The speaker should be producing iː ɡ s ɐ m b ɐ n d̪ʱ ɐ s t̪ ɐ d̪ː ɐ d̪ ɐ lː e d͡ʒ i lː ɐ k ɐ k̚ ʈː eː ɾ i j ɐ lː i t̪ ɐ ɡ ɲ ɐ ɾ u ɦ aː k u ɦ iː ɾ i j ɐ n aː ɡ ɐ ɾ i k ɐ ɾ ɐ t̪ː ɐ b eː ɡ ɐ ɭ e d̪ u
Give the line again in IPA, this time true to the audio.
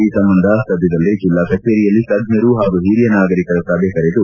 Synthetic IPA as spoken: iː s ɐ m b ɐ n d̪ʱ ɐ s t̪ ɐ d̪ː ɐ d̪ ɐ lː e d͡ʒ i lː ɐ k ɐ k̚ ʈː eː ɾ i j ɐ lː i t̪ ɐ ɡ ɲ ɐ ɾ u ɦ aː ɡ u ɦ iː ɾ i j ɐ n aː ɡ ɐ ɾ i k ɐ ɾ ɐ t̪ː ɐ b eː k ɐ ɾ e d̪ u